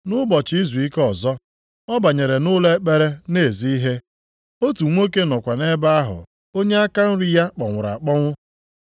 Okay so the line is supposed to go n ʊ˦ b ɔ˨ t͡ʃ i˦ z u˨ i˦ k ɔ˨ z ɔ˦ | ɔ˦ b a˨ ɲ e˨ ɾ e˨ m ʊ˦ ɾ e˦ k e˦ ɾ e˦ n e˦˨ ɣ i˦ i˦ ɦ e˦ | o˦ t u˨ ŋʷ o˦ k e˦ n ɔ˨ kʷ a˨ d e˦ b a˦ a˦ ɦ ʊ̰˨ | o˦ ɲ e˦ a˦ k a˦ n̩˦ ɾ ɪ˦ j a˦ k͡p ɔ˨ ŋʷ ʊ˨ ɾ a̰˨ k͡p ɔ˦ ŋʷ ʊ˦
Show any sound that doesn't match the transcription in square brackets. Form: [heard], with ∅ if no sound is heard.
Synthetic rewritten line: n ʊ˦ b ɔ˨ t͡ʃ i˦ z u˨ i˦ k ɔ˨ z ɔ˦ | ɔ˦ b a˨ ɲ e˨ ɾ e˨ [n] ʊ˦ [l] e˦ [k͡p] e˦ ɾ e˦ n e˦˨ [z] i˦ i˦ ɦ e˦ | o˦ t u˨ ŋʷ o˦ k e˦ n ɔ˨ kʷ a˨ [n] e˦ b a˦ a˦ ɦ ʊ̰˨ | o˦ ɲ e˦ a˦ k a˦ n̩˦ ɾ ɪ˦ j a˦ k͡p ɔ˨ ŋʷ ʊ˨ ɾ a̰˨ k͡p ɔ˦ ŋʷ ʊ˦